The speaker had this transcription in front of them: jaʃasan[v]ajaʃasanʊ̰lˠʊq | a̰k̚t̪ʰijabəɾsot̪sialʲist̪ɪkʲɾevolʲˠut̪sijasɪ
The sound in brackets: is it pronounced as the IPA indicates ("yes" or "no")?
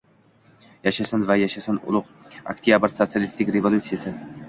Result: yes